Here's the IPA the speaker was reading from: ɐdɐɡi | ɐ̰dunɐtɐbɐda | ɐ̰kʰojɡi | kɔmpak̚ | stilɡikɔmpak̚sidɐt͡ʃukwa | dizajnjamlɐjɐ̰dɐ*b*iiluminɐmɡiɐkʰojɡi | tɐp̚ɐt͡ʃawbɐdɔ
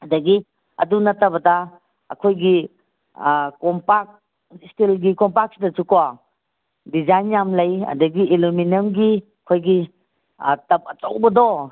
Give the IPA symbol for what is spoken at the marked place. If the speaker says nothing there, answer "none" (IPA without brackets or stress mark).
ɡ